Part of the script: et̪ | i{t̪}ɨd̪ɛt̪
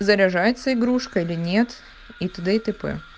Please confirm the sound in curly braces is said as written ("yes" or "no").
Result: yes